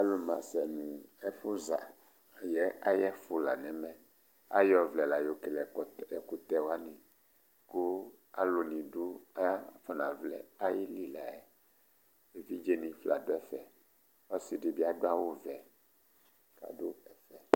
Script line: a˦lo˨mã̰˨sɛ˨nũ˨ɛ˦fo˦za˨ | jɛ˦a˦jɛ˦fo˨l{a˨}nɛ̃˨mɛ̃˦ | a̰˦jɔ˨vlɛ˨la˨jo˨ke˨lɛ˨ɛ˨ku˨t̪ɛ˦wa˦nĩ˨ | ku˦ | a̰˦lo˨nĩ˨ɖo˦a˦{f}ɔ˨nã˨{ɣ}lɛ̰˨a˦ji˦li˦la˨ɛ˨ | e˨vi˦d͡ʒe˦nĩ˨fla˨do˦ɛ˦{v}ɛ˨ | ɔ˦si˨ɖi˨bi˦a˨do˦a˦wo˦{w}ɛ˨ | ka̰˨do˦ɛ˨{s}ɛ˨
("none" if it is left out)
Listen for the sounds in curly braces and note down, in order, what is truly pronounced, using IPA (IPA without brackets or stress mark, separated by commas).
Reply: a˨, f, v, f, v, f